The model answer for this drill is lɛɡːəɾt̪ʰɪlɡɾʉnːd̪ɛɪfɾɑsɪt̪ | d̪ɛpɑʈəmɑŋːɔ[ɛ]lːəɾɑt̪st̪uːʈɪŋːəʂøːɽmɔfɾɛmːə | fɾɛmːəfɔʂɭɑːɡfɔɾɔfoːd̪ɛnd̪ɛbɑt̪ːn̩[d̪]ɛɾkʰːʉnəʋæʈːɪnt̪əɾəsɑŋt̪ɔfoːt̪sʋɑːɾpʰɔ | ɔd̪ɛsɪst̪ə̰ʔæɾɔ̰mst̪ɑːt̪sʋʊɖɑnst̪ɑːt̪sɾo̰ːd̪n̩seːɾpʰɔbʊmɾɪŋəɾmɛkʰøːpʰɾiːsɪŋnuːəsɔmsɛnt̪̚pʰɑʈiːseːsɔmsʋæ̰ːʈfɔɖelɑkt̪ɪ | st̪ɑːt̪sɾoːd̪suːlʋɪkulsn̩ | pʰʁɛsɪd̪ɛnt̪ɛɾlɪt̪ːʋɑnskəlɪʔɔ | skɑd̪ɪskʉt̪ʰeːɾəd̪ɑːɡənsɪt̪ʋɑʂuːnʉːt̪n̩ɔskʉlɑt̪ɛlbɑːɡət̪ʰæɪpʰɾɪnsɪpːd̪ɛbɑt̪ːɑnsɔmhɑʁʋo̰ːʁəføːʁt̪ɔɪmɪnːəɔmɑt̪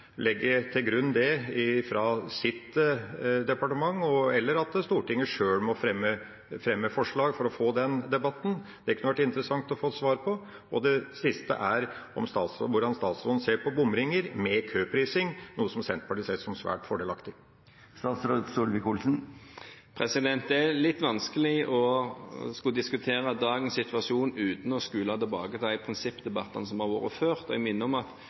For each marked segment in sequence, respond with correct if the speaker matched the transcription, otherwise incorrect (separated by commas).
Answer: correct, correct